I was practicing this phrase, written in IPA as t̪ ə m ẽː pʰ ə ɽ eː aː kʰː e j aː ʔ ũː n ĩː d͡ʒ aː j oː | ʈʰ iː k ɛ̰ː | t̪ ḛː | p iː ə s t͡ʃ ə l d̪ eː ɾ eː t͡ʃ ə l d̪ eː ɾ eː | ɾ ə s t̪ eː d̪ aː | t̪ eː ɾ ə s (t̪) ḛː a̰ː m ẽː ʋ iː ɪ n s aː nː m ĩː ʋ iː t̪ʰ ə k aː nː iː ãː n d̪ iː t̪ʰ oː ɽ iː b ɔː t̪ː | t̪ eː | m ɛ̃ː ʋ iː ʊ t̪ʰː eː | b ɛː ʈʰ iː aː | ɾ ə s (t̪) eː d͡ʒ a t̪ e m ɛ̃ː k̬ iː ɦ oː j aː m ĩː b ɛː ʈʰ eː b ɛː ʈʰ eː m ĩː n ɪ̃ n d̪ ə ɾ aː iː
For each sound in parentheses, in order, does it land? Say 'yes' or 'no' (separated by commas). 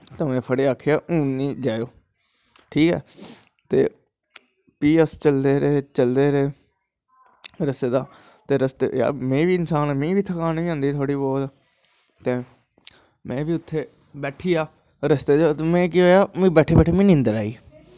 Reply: yes, yes